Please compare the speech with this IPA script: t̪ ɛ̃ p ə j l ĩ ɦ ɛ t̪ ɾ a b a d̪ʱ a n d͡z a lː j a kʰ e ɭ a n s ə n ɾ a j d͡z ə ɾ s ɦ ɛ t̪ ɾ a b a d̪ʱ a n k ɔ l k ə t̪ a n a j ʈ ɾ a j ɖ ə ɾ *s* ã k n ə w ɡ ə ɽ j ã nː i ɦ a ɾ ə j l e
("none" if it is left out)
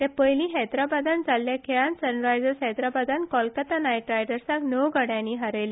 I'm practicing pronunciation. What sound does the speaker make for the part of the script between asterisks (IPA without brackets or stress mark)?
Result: s